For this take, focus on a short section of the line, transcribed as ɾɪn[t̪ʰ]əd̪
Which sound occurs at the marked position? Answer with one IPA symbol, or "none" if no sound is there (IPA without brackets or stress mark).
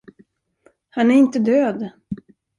t̪